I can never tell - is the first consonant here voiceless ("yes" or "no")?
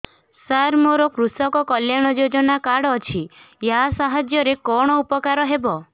yes